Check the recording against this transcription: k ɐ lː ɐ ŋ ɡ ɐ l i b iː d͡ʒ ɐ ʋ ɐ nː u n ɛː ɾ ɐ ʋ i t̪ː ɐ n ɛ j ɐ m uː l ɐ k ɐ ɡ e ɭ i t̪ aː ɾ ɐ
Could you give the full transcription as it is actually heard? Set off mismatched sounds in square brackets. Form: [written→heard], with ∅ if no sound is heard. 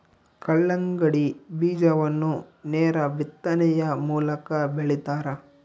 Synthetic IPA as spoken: k ɐ [lː→ɭː] ɐ ŋ ɡ ɐ [l→ɽ] i b iː d͡ʒ ɐ ʋ ɐ nː u n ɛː ɾ ɐ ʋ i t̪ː ɐ n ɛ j ɐ m uː l ɐ k ɐ [ɡ→b] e ɭ i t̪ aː ɾ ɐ